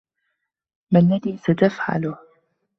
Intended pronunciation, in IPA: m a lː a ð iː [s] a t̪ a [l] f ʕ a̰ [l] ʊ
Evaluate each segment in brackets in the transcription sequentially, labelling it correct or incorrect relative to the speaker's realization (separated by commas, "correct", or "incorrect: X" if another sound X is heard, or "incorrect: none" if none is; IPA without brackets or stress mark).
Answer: correct, incorrect: none, correct